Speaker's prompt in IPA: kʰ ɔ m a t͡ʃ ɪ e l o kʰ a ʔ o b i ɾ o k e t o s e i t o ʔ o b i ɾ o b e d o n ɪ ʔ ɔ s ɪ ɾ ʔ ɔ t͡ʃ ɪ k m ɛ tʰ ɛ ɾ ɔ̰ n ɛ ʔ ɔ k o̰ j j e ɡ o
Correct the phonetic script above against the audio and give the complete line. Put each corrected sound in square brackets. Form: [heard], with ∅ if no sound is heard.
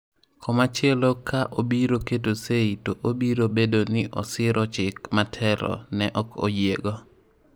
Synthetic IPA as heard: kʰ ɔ m a t͡ʃ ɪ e l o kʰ a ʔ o b i ɾ o k e t o s e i t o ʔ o b i ɾ o b e d o n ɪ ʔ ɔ s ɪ ɾ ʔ ɔ t͡ʃ ɪ k m [a] tʰ ɛ ɾ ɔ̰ n ɛ ʔ ɔ k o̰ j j e ɡ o